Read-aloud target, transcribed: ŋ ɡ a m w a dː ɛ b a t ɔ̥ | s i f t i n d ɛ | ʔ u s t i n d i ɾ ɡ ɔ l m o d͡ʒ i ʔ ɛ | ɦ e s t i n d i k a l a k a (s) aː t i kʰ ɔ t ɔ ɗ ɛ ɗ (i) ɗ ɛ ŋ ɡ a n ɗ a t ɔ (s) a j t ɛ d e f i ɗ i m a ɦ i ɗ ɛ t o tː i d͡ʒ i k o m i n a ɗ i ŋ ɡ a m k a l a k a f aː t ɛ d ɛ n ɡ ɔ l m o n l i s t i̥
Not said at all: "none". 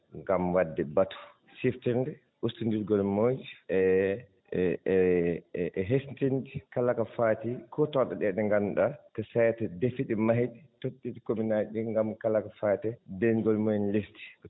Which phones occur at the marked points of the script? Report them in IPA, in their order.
f, ɛ, s

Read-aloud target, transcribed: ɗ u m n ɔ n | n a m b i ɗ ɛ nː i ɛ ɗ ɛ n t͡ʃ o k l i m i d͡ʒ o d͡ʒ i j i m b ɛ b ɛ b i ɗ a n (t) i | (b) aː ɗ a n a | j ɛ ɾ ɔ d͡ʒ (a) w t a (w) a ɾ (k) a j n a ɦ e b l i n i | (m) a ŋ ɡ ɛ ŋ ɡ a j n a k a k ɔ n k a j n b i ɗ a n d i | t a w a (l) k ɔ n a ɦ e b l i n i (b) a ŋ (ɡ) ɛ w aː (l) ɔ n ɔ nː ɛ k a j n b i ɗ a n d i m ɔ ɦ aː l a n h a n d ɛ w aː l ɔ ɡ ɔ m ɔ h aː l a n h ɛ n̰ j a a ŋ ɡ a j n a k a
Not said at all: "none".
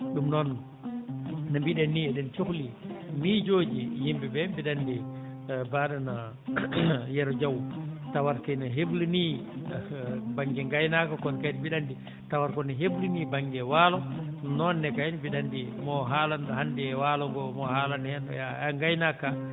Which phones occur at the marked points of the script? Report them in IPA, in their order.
d, b, a, w, k, b, ɾ, b, ɡ, l

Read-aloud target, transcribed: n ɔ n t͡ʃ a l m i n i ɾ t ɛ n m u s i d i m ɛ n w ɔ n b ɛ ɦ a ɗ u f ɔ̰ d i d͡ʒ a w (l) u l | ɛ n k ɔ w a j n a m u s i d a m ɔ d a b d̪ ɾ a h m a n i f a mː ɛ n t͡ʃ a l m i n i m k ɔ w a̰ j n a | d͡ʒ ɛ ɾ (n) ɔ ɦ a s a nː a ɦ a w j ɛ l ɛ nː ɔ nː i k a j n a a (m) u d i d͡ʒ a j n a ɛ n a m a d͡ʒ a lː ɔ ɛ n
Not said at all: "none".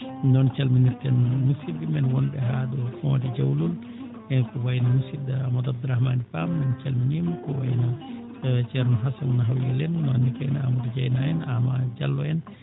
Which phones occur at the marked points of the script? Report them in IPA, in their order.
l, n, m

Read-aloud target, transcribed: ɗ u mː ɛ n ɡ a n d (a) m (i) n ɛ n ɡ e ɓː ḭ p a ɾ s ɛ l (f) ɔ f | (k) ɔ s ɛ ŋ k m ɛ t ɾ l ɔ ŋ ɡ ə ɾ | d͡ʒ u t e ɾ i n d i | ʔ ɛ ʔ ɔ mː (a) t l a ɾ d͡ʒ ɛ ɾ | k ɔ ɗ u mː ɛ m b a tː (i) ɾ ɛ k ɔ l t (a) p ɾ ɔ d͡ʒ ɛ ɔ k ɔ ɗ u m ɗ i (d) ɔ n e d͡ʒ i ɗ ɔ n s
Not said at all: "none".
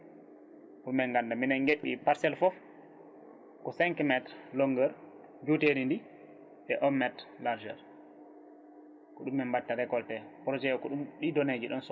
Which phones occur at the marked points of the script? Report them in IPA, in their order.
a, i, f, k, ɛ, a, ɛ, d

